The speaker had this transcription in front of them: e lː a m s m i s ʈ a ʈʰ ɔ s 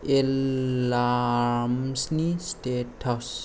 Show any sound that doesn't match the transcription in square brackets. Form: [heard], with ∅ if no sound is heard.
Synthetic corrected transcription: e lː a m s [n] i s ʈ [e] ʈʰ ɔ s